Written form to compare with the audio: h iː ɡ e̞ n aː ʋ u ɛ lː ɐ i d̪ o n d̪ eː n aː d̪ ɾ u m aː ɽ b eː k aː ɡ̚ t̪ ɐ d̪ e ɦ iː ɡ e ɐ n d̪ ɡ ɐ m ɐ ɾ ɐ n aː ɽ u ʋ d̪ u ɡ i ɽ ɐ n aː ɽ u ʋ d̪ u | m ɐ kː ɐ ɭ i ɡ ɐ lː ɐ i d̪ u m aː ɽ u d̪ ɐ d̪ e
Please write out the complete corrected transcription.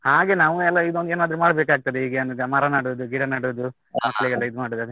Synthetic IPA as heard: h aː ɡ e̞ n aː ʋ u ɛ lː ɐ i d̪ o n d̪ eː n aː d̪ ɾ u m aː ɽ b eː k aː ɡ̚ t̪ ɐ d̪ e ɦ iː ɡ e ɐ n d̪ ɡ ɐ m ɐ ɾ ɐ n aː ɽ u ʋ d̪ u ɡ i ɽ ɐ n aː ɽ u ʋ d̪ u | m ɐ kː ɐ ɭ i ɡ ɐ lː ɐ i d̪ u m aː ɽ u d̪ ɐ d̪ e